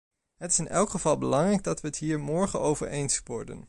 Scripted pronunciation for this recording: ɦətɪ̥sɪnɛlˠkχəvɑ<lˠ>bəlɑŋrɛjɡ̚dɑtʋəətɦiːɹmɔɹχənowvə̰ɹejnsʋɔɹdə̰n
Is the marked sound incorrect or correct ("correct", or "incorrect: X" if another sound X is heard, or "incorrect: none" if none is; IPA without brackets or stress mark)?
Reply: correct